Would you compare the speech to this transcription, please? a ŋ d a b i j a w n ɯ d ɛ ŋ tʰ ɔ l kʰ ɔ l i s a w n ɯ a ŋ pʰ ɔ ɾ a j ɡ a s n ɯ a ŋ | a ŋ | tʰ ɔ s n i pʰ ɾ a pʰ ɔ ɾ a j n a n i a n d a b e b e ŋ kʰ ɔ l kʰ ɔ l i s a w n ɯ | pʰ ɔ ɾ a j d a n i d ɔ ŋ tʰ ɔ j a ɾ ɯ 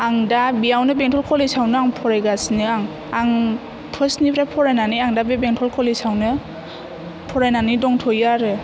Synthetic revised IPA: a ŋ d a b i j a w n ɯ b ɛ ŋ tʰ ɔ l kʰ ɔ l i s a w n ɯ a ŋ pʰ ɔ ɾ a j ɡ a s n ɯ a ŋ | a ŋ | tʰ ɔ s n i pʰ ɾ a pʰ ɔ ɾ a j n a n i a ŋ d a b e b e ŋ tʰ ɔ l kʰ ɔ l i s a w n ɯ | pʰ ɔ ɾ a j n a n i d ɔ ŋ tʰ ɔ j a ɾ ɯ

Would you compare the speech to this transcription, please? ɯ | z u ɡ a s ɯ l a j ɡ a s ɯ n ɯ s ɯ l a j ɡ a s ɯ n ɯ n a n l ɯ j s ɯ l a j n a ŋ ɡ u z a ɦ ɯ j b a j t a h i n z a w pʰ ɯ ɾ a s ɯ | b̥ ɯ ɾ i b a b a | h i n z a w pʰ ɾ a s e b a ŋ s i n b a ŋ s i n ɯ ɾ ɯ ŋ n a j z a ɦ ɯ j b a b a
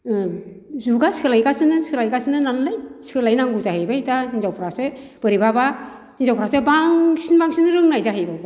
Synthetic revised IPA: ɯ | z u ɡ a s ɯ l a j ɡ a s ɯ n ɯ s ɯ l a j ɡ a s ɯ n ɯ n a n l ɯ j s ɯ l a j n a ŋ ɡ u z a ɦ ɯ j b a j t a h i n z a w pʰ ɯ ɾ a s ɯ | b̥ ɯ ɾ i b a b a | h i n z a w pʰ ɾ a s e b a ŋ s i n b a ŋ s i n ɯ ɾ ɯ ŋ n a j z a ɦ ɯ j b a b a

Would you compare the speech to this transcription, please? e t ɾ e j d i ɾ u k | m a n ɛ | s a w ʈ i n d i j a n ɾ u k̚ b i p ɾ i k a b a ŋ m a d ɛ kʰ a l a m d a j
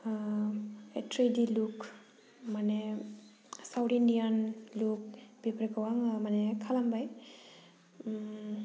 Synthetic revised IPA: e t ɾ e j d i l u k | m a n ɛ | s a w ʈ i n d i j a n l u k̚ b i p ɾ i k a w a ŋ m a n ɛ kʰ a l a m b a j

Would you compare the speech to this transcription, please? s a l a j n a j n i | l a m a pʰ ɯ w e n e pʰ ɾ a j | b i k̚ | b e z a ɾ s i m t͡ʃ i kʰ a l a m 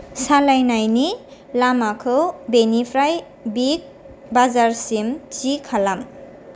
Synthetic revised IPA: s a l a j n a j n i | l a m a kʰ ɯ b e n i pʰ ɾ a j | b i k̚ | b a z a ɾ s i m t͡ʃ i kʰ a l a m

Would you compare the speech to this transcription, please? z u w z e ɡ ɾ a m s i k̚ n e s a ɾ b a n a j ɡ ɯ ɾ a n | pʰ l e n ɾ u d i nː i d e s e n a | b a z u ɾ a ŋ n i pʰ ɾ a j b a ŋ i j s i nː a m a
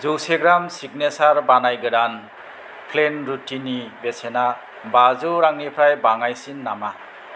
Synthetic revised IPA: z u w s e ɡ ɾ a m s i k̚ n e s a ɾ b a n a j ɡ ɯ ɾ a n | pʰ l e n ɾ u t i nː i b e s e n a | b a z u ɾ a ŋ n i pʰ ɾ a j b a ŋ a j s i nː a m a

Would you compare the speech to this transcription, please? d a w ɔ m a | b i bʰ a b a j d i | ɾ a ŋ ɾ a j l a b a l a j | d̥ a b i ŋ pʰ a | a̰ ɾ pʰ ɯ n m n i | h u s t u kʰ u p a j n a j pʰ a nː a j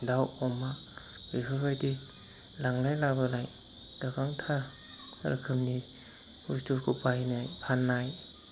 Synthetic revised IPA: d a w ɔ m a | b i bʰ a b a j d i | l a ŋ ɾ a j l a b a l a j | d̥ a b a ŋ tʰ a | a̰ ɾ kʰ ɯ m n i | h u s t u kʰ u p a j n a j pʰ a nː a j

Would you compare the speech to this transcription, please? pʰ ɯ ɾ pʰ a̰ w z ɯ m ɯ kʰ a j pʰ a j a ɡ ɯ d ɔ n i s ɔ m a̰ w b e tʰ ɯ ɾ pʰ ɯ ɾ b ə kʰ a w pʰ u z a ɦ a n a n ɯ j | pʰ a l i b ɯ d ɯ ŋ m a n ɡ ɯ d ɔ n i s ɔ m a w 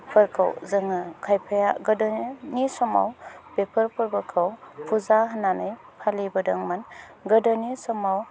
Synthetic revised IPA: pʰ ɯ ɾ kʰ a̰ w z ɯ ŋ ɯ kʰ a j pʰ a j a ɡ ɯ d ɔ n i s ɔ m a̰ w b e pʰ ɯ ɾ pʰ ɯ ɾ b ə kʰ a w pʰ u z a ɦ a n a n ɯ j | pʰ a l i b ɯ d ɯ ŋ m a n ɡ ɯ d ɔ n i s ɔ m a w

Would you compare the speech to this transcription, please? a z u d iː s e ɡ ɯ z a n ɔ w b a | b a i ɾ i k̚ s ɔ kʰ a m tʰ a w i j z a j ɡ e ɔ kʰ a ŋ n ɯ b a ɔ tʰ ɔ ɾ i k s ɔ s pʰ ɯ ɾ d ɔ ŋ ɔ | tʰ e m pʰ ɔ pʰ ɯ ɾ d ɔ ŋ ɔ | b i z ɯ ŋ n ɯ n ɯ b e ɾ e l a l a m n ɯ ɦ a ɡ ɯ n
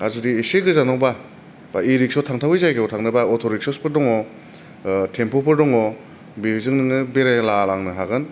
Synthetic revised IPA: a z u d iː s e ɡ ɯ z a n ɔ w b a | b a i ɾ i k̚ s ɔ tʰ a ŋ tʰ a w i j z a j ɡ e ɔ tʰ a ŋ n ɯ b a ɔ tʰ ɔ ɾ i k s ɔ s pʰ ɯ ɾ d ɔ ŋ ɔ | tʰ e m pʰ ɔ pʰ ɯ ɾ d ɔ ŋ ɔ | b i z ɯ ŋ n ɯ ŋ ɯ b e ɾ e l a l a ŋ n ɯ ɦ a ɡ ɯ n

